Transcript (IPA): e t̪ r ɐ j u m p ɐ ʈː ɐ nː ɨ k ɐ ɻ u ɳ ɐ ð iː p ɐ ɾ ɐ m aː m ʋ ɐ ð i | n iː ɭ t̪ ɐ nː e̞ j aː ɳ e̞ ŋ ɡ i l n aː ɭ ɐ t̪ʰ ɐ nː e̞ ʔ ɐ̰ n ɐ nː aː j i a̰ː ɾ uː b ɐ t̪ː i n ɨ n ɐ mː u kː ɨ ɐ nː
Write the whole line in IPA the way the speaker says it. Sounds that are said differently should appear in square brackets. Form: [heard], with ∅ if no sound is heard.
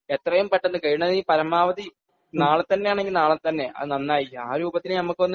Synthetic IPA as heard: e t̪ r ɐ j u m p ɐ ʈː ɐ nː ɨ k ɐ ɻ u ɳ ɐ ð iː p ɐ ɾ ɐ m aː [∅] ʋ ɐ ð i | n [aː] ɭ t̪ ɐ nː e̞ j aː ɳ e̞ ŋ ɡ i l n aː ɭ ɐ [t̪] ɐ nː e̞ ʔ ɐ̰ n ɐ nː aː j i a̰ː ɾ uː b ɐ t̪ː i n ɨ n ɐ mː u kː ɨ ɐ nː